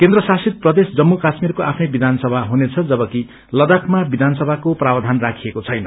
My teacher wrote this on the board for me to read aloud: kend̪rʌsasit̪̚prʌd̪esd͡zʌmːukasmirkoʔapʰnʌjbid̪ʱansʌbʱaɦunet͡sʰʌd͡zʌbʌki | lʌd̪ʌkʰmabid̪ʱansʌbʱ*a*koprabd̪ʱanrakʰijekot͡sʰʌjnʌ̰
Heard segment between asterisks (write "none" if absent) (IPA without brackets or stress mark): a